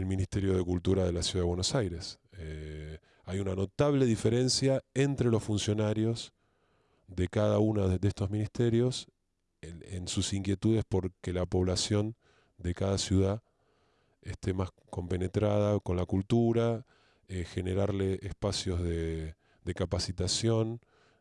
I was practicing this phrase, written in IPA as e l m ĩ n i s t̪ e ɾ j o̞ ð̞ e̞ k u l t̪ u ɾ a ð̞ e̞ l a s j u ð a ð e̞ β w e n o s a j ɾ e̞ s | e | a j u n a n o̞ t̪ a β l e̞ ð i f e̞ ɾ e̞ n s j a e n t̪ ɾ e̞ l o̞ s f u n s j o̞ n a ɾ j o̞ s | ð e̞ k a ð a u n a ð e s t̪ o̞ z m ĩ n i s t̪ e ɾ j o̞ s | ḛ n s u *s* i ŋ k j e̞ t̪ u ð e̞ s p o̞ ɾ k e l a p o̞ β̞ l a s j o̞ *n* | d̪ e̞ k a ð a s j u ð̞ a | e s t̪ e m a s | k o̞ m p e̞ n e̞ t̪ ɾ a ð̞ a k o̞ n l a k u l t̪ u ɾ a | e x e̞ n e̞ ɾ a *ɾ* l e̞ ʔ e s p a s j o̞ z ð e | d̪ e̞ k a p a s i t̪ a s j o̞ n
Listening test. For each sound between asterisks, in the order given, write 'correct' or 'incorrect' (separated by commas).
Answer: correct, correct, correct